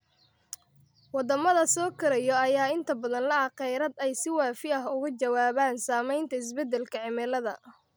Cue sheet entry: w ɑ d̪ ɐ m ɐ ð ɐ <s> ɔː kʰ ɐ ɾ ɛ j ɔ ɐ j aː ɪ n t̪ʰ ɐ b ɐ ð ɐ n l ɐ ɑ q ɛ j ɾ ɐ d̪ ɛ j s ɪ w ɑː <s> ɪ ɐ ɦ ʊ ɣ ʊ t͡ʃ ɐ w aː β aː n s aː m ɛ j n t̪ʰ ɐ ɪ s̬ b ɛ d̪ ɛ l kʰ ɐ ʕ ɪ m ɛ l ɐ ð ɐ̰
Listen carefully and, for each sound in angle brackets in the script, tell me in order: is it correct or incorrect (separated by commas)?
correct, incorrect